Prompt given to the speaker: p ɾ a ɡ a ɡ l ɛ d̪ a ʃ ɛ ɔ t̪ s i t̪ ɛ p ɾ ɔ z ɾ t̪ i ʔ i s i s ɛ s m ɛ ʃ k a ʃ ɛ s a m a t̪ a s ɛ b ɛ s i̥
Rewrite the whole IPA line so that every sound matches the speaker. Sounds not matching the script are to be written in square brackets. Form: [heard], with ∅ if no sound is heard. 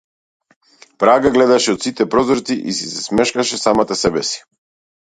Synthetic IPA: p ɾ a ɡ a ɡ l ɛ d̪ a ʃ ɛ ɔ t̪ s i t̪ ɛ p ɾ ɔ z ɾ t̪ i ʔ i s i s ɛ s m ɛ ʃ k a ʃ ɛ s a m a t̪ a s ɛ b ɛ s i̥